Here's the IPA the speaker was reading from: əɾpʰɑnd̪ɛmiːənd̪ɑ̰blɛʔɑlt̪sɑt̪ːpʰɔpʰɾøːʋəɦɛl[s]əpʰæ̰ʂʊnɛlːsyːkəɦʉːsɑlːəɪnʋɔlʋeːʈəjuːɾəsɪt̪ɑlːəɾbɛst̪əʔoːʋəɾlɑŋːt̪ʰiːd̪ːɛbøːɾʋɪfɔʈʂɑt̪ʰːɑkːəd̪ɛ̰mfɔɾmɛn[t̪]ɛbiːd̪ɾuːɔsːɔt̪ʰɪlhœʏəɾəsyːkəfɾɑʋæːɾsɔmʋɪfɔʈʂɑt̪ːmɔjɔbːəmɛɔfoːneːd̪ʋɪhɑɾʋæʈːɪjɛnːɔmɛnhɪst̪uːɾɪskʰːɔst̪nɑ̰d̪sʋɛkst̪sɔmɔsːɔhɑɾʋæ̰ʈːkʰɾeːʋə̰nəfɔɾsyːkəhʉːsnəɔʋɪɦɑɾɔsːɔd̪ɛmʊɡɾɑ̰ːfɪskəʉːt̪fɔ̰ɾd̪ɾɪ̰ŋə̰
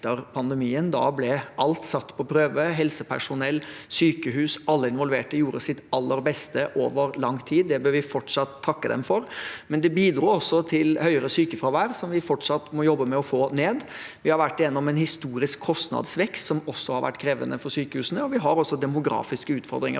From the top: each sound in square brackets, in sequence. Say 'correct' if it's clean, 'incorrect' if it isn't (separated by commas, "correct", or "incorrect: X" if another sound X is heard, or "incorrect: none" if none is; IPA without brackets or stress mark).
correct, incorrect: d̪